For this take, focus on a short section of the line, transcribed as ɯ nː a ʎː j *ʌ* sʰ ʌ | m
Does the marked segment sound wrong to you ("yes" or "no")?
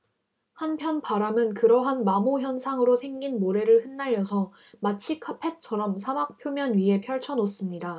no